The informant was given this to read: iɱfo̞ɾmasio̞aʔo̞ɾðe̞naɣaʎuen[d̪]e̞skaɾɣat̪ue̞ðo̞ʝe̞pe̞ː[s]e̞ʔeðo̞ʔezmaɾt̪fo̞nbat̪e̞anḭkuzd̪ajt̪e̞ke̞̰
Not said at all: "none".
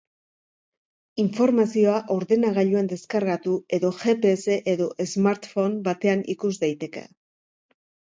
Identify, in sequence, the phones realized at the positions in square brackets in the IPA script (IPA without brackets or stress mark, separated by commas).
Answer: d̪, s